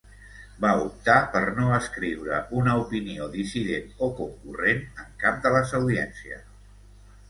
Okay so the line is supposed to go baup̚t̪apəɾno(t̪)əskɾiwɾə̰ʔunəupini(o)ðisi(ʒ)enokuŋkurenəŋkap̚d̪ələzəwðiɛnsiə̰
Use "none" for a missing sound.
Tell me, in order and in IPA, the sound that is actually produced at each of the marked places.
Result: none, o, ð

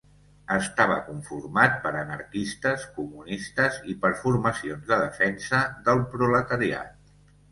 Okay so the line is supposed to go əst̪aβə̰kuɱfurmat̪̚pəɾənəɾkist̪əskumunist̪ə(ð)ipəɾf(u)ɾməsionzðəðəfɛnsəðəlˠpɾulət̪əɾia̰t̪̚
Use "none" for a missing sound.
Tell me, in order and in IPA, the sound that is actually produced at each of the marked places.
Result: z, u

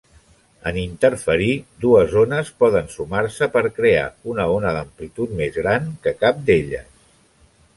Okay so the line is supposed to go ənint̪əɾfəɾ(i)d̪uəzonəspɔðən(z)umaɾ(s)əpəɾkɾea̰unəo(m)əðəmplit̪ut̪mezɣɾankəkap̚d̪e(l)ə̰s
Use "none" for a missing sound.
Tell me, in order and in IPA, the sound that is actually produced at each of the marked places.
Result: i, s, s, n, ʎ

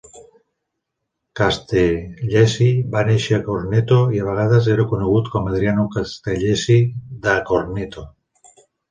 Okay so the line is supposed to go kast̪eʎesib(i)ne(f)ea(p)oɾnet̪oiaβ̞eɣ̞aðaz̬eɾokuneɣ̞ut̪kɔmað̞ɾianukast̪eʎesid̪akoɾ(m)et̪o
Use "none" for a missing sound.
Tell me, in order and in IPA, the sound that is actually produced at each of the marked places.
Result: a, ʃ, k, n

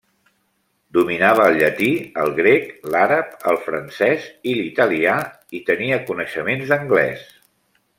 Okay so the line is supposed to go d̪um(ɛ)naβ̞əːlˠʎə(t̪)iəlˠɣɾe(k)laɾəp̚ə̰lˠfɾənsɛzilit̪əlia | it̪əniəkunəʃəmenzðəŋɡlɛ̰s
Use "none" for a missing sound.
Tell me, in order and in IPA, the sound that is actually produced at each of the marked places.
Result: i, t̪, k

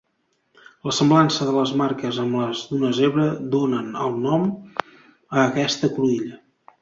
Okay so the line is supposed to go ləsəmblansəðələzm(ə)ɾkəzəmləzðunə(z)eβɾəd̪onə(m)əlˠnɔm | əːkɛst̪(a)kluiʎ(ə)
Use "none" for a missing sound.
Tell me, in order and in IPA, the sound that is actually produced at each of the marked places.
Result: a, z, n, ə, ə

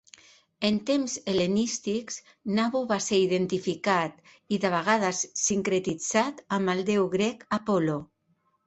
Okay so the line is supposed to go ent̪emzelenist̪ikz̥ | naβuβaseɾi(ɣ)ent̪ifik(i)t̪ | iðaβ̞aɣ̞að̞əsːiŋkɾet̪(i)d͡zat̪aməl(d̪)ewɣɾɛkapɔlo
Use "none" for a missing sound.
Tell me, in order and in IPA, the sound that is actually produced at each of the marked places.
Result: ð, a, i, d̪

